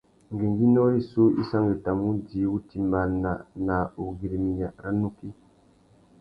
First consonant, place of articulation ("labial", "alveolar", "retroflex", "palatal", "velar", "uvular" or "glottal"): velar